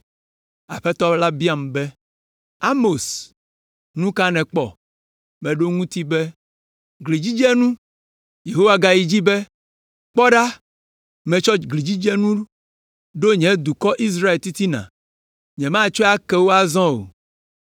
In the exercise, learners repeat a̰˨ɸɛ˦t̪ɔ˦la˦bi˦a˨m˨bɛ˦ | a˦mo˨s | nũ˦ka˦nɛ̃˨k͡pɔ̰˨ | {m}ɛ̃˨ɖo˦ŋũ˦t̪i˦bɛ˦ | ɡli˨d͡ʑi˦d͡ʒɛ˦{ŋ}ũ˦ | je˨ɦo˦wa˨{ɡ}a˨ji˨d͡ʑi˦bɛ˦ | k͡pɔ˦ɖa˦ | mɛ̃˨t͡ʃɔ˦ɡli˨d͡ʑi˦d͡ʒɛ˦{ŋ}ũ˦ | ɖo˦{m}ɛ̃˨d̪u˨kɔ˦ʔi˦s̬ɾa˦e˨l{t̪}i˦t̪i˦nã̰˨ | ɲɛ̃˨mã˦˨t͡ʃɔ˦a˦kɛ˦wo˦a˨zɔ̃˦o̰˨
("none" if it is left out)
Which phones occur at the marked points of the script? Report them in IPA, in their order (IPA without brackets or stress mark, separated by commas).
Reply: m, n, ɡ, n, ɲ, t̪